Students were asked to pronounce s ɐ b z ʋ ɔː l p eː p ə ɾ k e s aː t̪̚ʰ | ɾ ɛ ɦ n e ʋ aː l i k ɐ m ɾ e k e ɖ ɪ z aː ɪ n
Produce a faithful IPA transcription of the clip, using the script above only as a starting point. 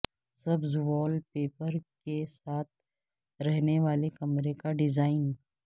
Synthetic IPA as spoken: s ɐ b z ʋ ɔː l p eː p ə ɾ k e s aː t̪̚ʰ | ɾ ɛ ɦ n e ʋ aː l e k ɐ m ɾ e k a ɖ ɪ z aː ɪ n